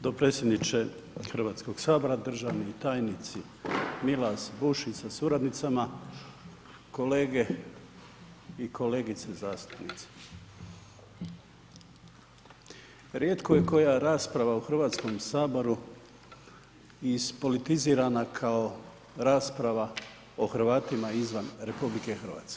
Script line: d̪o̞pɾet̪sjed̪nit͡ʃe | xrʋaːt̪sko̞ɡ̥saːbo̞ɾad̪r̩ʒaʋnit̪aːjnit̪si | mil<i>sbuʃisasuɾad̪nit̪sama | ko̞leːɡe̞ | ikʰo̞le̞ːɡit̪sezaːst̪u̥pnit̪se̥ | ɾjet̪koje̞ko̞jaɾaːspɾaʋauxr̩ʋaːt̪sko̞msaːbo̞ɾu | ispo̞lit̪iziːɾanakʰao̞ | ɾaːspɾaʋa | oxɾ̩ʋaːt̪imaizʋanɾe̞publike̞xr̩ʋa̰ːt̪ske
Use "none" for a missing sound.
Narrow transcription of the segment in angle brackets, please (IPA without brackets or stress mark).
a